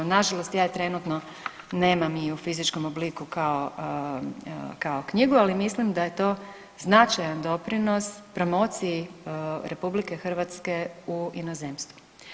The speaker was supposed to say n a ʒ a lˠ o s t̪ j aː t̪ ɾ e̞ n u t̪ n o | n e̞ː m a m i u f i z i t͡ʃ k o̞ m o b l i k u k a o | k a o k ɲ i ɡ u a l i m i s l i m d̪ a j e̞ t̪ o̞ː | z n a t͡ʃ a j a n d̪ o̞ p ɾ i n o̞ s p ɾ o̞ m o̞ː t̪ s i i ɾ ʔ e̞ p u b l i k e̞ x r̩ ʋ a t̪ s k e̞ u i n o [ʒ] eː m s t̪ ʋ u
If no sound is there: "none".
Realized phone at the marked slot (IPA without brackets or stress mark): z